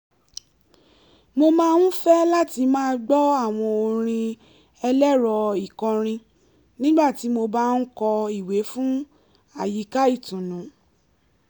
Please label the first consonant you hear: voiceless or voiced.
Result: voiced